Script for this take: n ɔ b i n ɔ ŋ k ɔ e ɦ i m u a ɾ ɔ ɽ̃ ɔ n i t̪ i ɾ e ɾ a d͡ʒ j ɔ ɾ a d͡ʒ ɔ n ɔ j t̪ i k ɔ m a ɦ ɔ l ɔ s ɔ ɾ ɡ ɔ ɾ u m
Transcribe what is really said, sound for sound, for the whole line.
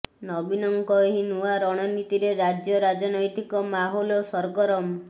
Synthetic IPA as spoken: n ɔ b i n ɔ ŋ k ɔ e ɦ i n u a ɾ ɔ ɽ̃ ɔ n i t̪ i ɾ e ɾ a d͡ʒ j ɔ ɾ a d͡ʒ ɔ n ɔ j t̪ i k ɔ m a ɦ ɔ l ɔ s ɔ ɾ ɡ ɔ ɾ ɔ m